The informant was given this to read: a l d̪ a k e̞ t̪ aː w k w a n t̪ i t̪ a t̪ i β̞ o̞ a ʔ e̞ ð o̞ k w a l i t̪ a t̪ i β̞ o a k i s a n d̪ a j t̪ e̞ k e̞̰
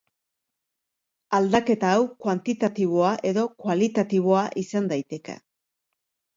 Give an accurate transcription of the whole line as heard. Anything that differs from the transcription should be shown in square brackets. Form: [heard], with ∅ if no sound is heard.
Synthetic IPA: a l d̪ a k e̞ t̪ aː w k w a n t̪ i t̪ a t̪ i β̞ o̞ a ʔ e̞ ð o̞ k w a l i t̪ a t̪ i β̞ o a [ʔ] i s a n d̪ a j t̪ e̞ k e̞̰